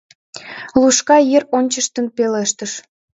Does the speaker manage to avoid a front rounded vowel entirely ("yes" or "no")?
yes